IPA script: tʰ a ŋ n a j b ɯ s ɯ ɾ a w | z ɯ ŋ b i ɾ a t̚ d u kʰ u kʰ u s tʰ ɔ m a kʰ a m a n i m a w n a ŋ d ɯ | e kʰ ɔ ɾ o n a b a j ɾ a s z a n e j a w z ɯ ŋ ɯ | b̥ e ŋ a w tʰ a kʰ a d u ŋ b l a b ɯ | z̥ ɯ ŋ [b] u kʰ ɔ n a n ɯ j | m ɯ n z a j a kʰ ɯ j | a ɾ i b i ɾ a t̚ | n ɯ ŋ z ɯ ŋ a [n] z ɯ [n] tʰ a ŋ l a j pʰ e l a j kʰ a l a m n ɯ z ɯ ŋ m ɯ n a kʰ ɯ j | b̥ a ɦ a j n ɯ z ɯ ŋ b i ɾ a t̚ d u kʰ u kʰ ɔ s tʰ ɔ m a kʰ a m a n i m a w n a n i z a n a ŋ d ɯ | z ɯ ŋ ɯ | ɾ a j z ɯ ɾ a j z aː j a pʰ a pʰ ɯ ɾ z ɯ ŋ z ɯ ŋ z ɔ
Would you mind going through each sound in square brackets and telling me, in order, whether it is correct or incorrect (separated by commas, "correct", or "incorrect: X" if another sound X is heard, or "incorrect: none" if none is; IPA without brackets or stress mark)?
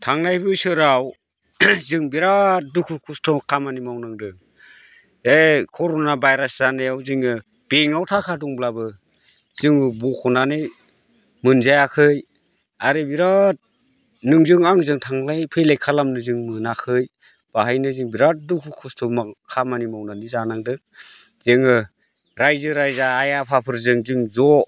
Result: correct, incorrect: ŋ, incorrect: ŋ